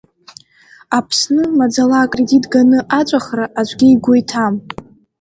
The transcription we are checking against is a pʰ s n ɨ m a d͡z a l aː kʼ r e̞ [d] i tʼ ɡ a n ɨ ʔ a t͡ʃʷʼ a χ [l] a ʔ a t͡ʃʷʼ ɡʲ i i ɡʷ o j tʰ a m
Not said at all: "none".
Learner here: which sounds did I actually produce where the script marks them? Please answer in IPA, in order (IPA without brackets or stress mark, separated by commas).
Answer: d, r